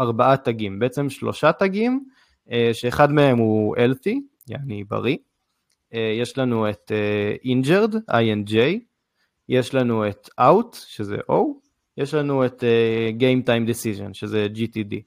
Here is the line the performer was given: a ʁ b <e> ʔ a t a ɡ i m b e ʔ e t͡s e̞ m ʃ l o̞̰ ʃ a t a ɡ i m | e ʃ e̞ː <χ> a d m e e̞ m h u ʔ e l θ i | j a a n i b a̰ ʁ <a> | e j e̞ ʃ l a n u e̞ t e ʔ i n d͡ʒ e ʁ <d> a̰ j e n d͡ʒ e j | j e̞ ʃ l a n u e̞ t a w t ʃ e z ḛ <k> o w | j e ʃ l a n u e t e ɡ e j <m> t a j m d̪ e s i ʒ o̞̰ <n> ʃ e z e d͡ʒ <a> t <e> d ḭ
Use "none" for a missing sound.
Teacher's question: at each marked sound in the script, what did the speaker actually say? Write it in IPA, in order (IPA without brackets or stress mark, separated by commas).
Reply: a, χ, i, d, ʔ, m, n, i, i